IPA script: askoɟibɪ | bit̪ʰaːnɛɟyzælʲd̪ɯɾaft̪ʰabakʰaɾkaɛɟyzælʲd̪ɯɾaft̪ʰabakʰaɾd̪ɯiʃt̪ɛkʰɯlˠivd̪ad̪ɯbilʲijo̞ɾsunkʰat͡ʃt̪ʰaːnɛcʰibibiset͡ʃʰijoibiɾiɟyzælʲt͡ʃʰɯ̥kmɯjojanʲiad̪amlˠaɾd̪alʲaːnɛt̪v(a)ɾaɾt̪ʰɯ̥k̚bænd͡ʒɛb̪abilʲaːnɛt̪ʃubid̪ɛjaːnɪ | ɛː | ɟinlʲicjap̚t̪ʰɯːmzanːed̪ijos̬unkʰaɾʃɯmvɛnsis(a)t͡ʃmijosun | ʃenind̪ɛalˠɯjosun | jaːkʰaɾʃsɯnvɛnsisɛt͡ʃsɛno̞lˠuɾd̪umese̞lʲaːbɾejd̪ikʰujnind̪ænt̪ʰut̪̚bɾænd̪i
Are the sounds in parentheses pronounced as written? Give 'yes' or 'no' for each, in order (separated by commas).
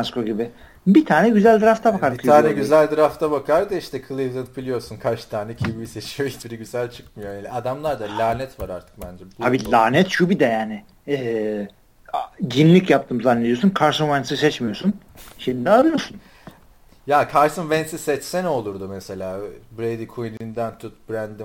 yes, no